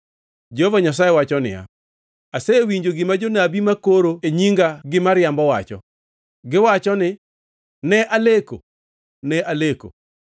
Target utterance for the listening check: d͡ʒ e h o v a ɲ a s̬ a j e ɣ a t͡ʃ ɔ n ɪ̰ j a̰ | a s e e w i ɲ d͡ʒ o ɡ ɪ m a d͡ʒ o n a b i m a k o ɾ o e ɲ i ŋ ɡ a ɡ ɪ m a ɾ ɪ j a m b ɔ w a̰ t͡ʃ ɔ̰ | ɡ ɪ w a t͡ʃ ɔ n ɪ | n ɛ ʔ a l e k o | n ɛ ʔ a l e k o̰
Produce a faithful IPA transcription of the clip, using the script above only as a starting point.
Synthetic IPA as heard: d͡ʒ e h o v a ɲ a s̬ a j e w a t͡ʃ ɔ n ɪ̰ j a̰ | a s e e w i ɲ d͡ʒ o ɡ ɪ m a d͡ʒ o n a b i m a k o ɾ o e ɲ i ŋ ɡ a ɡ ɪ m a ɾ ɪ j a m b ɔ w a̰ t͡ʃ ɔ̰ | ɡ ɪ w a t͡ʃ ɔ n ɪ | n ɛ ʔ a l e k o | n ɛ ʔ a l e k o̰